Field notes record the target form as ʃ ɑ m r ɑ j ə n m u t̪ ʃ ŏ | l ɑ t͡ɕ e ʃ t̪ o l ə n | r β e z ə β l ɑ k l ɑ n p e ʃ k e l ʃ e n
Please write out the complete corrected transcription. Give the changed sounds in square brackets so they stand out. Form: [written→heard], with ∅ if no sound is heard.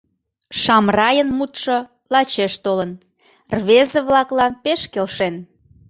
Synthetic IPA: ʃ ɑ m r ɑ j ə n m u t̪ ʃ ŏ | l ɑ t͡ɕ e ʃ t̪ o l ə n | r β e z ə β l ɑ k l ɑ n p e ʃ k e l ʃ e n

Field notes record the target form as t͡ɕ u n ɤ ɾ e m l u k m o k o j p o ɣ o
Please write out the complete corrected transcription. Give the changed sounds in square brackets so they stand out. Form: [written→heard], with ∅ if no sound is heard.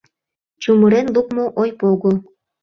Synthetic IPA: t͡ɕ u [n→m] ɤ ɾ e [m→n] l u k m o [k→ʔ] o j p o ɣ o

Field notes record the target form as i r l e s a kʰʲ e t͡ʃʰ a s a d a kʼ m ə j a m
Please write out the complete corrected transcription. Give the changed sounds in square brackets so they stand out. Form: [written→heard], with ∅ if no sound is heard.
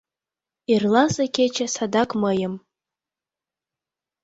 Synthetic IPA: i r l [e→a] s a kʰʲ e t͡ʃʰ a s a d a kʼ m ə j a m

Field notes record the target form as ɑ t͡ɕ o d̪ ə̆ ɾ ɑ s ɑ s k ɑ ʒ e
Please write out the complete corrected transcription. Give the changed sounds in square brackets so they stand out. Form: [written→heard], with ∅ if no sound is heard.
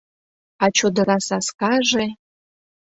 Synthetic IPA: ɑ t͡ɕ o d̪ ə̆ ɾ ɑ s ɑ s k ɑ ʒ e

